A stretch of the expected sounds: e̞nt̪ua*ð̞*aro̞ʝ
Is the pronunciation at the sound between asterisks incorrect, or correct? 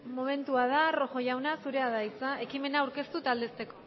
correct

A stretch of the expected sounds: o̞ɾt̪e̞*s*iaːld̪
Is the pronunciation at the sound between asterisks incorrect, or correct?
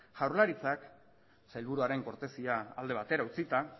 correct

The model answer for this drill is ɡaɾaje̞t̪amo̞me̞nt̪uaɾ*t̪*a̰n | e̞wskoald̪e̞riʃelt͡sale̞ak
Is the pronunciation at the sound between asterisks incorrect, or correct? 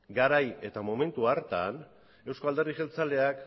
correct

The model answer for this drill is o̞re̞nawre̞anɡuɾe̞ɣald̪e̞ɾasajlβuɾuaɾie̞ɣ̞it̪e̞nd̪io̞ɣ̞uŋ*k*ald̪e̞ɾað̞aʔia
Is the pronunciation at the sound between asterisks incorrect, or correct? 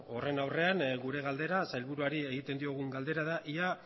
incorrect: ɡ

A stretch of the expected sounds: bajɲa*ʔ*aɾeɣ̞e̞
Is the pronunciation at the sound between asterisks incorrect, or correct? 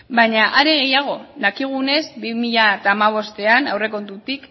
correct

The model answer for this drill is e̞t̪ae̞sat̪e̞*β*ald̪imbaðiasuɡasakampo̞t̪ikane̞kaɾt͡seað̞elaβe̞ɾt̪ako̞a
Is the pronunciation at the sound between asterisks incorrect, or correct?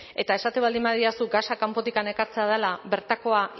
correct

